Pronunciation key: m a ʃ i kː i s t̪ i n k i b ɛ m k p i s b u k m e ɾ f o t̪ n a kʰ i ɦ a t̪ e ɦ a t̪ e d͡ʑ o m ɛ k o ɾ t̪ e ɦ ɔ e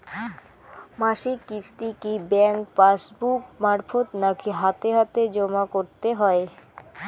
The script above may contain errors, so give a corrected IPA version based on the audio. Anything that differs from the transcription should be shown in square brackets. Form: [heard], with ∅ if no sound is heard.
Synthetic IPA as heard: m a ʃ i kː i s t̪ i [∅] k i b ɛ [ŋ] k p [a] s b u k m [a] ɾ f o t̪ n a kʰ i ɦ a t̪ e ɦ a t̪ e d͡ʑ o m [a] k o ɾ t̪ e ɦ ɔ e